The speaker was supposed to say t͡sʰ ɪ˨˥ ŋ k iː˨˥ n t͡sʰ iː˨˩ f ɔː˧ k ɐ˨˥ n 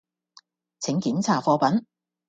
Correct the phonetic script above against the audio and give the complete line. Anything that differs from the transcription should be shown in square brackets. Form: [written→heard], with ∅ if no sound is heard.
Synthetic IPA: t͡sʰ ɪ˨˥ ŋ k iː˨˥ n t͡sʰ [iː˨˩→aː˨˩] f ɔː˧ [k→p] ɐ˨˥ n